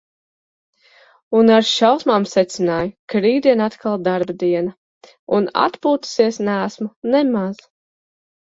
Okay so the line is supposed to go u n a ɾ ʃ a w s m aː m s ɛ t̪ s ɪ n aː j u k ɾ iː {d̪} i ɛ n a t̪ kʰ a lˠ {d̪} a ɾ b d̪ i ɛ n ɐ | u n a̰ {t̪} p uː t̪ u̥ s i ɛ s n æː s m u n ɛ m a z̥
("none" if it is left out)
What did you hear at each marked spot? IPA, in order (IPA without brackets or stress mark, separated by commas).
d̪, d̪, t̪